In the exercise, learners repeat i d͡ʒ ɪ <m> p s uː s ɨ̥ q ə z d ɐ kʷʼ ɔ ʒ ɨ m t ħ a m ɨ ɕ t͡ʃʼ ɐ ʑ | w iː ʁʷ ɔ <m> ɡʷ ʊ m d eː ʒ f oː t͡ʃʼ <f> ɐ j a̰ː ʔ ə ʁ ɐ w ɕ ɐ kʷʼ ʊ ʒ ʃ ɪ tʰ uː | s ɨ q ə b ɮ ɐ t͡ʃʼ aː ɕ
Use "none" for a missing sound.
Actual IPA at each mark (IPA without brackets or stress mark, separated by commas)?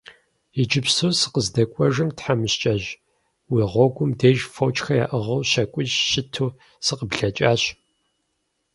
none, none, x